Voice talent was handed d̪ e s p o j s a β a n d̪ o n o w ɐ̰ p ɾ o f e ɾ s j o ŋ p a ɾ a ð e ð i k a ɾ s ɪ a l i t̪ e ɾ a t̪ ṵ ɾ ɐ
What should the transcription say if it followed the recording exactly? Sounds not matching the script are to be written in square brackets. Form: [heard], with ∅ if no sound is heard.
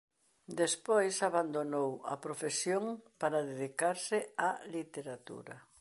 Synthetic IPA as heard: d̪ e s p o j s a β a n d̪ o n o w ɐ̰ p ɾ o f e [∅] s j o ŋ p a ɾ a ð e ð i k a ɾ s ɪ a l i t̪ e ɾ a t̪ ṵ ɾ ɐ